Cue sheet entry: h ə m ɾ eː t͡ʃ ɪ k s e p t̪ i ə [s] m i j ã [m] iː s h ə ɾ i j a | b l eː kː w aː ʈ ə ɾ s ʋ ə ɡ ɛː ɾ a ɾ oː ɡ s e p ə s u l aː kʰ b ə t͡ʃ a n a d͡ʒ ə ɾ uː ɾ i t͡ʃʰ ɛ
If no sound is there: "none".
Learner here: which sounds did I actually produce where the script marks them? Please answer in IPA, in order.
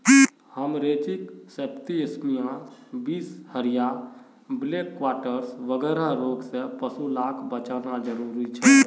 s, b

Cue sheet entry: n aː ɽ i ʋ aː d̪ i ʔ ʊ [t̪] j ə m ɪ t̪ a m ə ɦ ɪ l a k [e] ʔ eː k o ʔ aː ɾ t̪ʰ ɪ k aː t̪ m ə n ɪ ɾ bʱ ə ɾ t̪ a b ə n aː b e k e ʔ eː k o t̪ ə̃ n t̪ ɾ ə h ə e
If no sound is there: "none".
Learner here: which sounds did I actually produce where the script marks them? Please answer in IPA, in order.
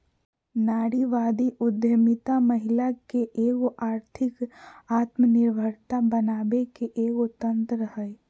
d̪, e

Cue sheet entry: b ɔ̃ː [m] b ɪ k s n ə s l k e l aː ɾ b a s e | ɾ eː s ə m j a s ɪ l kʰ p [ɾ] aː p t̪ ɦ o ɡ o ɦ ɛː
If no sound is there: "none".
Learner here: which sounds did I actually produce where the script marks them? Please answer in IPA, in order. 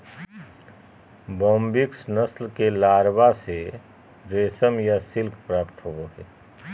m, ɾ

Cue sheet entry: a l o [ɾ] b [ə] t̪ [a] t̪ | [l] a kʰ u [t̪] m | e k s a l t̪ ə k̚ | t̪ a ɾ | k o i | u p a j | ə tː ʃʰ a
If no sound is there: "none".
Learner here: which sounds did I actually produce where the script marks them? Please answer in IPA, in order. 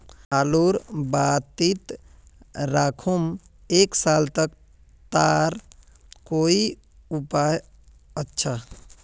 ɾ, a, i, ɾ, none

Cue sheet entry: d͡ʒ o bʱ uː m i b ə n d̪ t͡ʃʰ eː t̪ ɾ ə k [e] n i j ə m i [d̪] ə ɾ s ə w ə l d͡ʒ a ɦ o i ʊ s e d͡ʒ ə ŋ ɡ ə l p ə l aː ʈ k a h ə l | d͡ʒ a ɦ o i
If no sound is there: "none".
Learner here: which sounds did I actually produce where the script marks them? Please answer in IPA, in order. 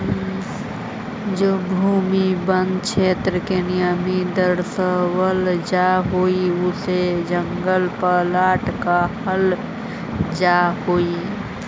e, d̪

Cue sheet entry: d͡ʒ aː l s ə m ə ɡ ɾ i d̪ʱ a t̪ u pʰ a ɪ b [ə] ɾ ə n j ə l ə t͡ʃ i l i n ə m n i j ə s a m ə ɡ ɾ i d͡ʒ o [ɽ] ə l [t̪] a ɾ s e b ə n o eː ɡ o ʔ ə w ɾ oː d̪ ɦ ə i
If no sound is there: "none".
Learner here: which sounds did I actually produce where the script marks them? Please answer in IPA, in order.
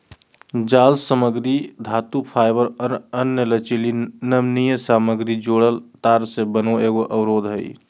ə, ɽ, t̪

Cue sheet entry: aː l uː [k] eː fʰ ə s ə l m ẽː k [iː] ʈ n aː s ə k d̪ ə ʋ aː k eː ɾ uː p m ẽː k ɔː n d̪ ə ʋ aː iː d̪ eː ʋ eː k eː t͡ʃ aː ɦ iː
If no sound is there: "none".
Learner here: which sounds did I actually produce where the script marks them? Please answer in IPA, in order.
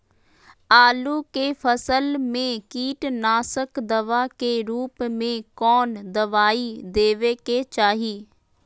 k, iː

